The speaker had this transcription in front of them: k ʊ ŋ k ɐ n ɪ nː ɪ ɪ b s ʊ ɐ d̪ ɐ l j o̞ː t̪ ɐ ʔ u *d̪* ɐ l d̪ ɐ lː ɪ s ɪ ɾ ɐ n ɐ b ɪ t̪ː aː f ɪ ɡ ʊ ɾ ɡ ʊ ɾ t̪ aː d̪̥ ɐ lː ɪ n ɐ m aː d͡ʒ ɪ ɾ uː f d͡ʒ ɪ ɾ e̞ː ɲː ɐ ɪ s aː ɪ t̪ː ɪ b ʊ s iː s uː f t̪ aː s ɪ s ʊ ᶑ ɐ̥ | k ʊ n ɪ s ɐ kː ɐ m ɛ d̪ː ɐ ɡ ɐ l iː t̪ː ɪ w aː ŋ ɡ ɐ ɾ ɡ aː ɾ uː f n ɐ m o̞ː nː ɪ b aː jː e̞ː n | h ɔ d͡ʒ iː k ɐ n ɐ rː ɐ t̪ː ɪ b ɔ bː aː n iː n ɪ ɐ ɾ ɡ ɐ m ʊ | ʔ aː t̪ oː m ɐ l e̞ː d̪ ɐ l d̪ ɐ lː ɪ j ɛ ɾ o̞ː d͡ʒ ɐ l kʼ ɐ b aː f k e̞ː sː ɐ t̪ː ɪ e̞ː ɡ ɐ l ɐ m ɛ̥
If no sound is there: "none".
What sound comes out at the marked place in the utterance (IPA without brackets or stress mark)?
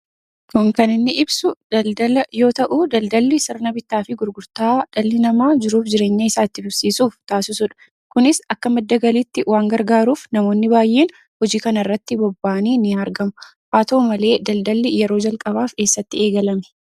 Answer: d̪